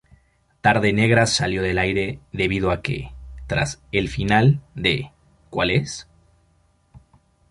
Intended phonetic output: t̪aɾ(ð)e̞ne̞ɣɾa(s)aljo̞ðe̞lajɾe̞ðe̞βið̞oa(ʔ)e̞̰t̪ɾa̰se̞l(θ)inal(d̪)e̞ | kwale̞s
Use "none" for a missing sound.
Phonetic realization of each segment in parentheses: ð, s, k, f, d̪

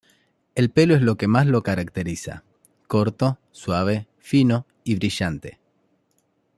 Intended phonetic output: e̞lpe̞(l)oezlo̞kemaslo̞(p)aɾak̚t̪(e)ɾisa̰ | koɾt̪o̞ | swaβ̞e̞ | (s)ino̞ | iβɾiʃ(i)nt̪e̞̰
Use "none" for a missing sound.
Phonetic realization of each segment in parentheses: l, k, e, f, a

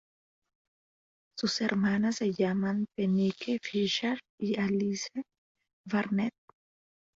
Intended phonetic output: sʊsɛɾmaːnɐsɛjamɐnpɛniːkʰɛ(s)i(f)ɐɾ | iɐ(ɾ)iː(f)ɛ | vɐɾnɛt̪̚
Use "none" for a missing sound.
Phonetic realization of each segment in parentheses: f, ʃ, l, s

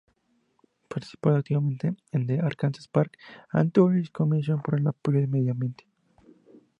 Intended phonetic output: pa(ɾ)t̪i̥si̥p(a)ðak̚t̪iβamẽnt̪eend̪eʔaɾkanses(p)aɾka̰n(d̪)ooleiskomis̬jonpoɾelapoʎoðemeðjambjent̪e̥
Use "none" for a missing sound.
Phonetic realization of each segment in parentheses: ɾ, a, p, t̪

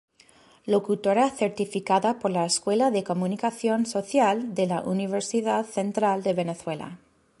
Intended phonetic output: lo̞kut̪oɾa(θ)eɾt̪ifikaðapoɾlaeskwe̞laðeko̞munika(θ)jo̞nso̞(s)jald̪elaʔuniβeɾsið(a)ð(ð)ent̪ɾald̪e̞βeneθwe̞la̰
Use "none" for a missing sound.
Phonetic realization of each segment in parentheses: θ, θ, θ, a, θ

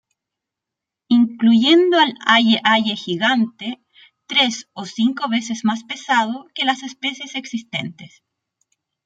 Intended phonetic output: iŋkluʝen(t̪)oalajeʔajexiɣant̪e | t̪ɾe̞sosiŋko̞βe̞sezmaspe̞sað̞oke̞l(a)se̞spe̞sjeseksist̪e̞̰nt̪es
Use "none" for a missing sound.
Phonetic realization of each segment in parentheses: d̪, a

